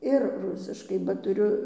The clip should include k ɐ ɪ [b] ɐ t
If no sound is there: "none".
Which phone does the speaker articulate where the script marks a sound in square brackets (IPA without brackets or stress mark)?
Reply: b